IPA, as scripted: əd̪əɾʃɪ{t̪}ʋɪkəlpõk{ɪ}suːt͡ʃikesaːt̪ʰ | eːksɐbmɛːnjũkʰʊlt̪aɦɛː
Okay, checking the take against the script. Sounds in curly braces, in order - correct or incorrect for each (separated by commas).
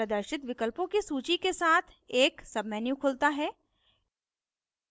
correct, incorrect